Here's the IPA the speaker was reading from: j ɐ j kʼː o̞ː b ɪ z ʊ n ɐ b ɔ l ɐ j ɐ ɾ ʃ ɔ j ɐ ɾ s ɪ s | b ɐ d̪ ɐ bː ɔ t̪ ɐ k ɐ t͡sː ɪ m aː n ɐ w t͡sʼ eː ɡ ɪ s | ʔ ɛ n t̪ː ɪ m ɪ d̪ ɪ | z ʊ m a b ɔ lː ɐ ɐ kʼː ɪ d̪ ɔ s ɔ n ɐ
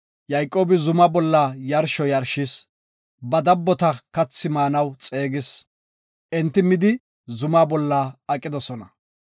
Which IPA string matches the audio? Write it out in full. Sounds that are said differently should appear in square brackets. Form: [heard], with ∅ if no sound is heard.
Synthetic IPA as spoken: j ɐ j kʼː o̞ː b ɪ z ʊ [m] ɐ b ɔ [lː] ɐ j ɐ ɾ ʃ ɔ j ɐ ɾ [ʃ] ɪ s | b ɐ d̪ ɐ bː ɔ t̪ ɐ k ɐ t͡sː ɪ m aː n ɐ w t͡sʼ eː ɡ ɪ s | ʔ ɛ n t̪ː ɪ m ɪ d̪ ɪ | z ʊ m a b ɔ lː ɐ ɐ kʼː ɪ d̪ ɔ s ɔ n ɐ